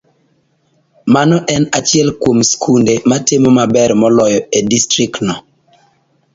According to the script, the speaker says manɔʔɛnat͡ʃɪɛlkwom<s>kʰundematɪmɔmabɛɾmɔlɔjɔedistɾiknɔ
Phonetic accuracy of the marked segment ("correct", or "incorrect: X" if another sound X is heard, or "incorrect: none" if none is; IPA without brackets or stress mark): correct